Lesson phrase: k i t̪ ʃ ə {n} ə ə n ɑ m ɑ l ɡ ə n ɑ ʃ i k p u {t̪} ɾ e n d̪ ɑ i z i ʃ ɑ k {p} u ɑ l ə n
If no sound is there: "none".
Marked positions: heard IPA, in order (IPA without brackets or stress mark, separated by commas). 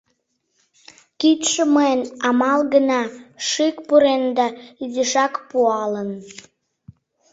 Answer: m, none, p